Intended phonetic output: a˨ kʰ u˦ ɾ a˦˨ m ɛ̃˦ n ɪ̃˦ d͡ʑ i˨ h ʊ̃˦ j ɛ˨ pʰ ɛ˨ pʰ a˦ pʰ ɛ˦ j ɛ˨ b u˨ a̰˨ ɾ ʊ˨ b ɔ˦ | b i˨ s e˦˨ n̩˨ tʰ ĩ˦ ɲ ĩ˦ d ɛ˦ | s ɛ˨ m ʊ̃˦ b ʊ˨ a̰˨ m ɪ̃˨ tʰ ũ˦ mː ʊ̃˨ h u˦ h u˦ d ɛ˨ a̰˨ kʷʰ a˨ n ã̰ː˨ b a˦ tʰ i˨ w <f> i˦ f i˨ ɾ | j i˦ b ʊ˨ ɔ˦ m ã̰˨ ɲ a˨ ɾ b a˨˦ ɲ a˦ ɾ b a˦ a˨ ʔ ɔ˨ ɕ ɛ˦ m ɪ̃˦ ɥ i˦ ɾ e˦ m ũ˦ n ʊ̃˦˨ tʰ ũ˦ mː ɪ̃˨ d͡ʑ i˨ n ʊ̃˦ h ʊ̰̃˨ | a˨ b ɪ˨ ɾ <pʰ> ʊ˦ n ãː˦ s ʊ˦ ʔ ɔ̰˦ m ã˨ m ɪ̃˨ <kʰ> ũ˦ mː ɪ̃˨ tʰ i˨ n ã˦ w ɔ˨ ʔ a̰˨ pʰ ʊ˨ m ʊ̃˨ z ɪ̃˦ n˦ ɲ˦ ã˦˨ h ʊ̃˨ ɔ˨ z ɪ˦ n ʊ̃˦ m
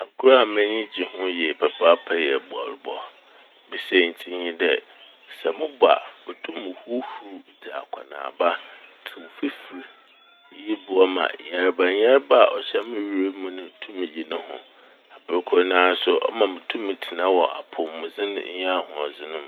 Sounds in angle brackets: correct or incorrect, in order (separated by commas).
correct, incorrect, incorrect